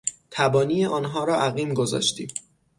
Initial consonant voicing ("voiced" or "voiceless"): voiceless